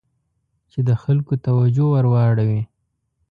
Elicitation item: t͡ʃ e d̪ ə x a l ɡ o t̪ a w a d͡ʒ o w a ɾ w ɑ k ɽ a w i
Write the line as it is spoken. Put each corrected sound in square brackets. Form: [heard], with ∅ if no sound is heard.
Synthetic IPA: t͡ʃ e d̪ ə x a l [k] o t̪ a w a d͡ʒ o w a ɾ w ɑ [∅] ɽ a w i